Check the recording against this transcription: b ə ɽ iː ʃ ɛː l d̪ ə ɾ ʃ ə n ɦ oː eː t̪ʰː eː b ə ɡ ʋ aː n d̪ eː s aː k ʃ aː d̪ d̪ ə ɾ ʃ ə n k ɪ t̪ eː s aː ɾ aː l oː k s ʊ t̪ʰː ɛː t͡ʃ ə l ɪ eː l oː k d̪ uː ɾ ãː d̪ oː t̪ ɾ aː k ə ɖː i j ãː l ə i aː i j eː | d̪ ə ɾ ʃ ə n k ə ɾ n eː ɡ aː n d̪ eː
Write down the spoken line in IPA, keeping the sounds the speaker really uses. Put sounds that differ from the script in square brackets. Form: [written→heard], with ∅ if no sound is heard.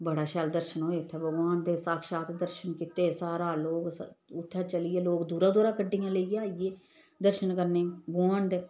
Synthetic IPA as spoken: b ə ɽ [iː→aː] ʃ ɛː l d̪ ə ɾ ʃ ə n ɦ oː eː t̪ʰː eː b ə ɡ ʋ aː n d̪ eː s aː k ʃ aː [d̪→t̪] d̪ ə ɾ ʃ ə n k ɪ t̪ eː s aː ɾ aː l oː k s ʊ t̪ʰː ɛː t͡ʃ ə l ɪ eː l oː k d̪ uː ɾ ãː d̪ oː [t̪→∅] ɾ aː k ə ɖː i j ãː l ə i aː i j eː | d̪ ə ɾ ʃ ə n k ə ɾ n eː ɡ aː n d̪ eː